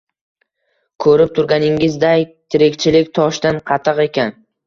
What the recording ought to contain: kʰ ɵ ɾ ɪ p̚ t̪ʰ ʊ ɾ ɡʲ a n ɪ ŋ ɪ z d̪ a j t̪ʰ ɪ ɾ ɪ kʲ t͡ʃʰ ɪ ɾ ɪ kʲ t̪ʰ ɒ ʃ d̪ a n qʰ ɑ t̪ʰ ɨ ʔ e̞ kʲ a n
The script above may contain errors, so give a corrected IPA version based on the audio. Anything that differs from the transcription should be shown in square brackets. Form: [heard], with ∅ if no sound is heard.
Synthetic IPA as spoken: kʰ ɵ ɾ ɪ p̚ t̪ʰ ʊ ɾ ɡʲ a n ɪ ŋ ɪ z d̪ a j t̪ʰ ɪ ɾ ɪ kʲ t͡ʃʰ ɪ [l] ɪ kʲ t̪ʰ ɒ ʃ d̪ a n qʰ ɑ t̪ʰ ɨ [q] e̞ kʲ a n